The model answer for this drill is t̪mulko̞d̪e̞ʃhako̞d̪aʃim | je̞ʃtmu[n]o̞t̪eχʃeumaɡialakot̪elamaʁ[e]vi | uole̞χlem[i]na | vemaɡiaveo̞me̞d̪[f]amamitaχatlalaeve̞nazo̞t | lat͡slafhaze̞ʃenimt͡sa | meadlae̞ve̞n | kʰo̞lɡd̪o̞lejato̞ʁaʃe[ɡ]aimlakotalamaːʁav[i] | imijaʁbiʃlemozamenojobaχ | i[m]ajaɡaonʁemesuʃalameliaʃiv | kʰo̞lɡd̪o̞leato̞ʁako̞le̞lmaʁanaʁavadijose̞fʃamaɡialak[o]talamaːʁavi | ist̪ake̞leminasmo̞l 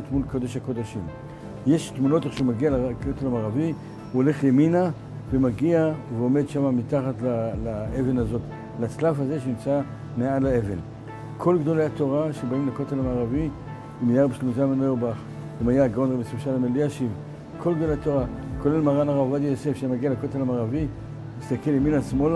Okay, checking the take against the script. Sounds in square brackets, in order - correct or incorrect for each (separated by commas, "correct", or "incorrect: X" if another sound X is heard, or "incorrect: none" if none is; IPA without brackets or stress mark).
correct, incorrect: a, correct, incorrect: ʃ, incorrect: b, correct, correct, correct